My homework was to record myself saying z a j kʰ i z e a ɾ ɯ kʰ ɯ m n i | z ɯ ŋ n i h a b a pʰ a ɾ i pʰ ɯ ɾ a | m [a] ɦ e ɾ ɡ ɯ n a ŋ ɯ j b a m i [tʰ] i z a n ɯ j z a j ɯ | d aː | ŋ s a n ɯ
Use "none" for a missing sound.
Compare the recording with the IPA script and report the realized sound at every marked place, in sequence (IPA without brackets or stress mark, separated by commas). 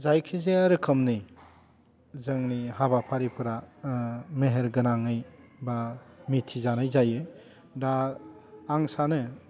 e, tʰ